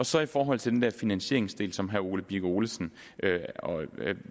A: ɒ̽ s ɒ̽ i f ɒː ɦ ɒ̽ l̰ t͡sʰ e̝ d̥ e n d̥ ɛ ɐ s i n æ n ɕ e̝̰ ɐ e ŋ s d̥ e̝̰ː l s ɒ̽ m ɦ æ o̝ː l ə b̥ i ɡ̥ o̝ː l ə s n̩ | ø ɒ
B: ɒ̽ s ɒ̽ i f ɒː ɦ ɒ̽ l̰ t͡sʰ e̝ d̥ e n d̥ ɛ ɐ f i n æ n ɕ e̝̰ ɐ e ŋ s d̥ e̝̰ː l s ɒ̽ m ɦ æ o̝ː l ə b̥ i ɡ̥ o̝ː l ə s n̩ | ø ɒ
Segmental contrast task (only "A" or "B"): B